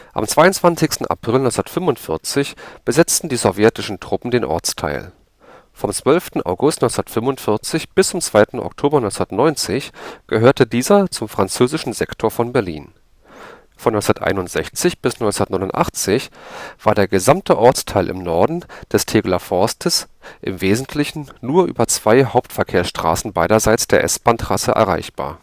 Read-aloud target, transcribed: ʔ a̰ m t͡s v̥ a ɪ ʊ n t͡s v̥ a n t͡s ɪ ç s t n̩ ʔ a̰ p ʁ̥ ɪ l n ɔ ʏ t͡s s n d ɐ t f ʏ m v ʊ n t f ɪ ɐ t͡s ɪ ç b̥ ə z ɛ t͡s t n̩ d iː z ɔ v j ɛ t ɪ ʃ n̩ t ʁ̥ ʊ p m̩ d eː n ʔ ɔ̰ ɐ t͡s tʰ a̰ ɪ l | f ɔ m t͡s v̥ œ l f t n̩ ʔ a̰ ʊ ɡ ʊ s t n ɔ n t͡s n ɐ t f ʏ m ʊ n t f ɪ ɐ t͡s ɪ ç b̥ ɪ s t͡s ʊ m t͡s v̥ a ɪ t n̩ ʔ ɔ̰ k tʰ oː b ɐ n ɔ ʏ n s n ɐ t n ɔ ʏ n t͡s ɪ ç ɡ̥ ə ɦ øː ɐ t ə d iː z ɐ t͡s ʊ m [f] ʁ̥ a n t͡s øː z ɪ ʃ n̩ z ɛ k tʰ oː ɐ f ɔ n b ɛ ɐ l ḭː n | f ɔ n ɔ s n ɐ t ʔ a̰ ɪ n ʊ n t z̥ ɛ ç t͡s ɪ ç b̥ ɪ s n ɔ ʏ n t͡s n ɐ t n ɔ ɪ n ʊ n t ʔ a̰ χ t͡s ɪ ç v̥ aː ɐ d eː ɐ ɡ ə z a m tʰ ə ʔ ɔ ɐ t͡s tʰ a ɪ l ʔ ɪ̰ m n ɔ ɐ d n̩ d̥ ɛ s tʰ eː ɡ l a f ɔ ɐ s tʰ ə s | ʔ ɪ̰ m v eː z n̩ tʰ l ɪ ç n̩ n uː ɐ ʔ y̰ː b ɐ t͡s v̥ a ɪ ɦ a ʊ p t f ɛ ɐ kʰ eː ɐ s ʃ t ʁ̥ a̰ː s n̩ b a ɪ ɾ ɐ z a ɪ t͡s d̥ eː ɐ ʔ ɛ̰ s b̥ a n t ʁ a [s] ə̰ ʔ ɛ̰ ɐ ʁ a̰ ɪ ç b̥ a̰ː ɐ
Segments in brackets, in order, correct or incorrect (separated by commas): correct, correct